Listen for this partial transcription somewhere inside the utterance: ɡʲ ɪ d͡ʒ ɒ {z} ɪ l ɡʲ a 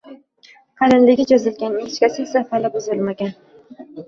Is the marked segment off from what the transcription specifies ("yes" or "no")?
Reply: no